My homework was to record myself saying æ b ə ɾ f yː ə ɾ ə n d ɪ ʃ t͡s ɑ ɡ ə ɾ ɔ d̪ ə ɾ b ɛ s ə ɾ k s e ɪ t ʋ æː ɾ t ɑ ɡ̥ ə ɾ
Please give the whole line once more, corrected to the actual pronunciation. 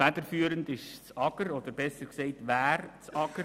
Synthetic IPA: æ d ə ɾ f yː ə ɾ ə n d ɪ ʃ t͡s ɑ ɡ ə ɾ ɔ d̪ ə ɾ b ɛ s ə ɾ k s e ɪ t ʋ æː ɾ t͡s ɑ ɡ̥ ə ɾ